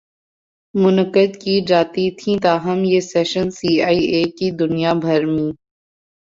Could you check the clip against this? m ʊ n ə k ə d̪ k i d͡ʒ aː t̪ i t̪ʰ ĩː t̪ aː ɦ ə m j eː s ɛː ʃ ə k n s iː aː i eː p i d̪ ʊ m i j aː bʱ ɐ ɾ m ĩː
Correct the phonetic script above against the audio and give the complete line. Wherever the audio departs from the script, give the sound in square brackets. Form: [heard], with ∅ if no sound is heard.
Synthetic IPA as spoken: m ʊ n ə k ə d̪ k i d͡ʒ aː t̪ i t̪ʰ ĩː t̪ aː ɦ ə m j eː s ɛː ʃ ə [∅] n s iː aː i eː [k] i d̪ ʊ [n] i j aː bʱ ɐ ɾ m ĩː